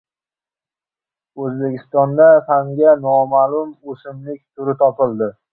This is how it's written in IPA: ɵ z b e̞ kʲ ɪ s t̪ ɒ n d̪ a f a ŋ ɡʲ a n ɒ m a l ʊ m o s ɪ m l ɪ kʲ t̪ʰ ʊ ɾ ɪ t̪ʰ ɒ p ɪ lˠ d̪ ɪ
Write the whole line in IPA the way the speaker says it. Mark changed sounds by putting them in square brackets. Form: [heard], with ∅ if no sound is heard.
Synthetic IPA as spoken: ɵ z b e̞ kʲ ɪ s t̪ ɒ n d̪ a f a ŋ ɡʲ a n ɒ m a l ʊ m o s ɪ m l ɪ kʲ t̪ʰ ʊ ɾ ɪ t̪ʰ ɒ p ɪ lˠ d̪ ɪ